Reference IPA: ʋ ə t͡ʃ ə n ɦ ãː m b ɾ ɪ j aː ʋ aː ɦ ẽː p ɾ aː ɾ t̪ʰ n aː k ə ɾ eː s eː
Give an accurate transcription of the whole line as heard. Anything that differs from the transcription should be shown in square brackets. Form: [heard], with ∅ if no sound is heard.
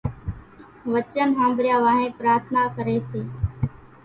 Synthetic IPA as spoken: ʋ ə t͡ʃ ə n ɦ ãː m b ɾ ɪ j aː ʋ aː ɦ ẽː p ɾ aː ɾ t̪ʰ n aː k ə ɾ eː s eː